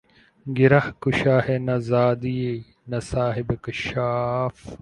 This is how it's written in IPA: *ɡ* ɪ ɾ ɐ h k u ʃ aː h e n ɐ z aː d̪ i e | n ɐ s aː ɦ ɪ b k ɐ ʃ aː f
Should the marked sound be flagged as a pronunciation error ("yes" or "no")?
no